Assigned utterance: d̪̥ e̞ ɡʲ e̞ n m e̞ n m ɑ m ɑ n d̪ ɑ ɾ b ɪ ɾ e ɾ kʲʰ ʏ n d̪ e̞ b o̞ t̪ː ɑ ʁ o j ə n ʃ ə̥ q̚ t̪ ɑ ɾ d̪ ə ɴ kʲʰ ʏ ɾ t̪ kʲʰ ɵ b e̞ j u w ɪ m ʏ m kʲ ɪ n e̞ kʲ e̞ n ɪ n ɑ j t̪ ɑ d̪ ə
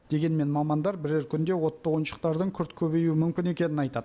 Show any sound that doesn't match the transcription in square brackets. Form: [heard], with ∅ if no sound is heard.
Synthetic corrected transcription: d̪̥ e̞ ɡʲ e̞ n m e̞ n m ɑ m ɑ n d̪ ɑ ɾ b ɪ ɾ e ɾ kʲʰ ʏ n d̪ e̞ [w] o̞ t̪ː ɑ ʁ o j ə n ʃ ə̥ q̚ t̪ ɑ ɾ d̪ ə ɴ kʲʰ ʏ ɾ t̪ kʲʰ ɵ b e̞ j u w ɪ m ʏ m kʲ ɪ n e̞ kʲ e̞ n ɪ n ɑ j t̪ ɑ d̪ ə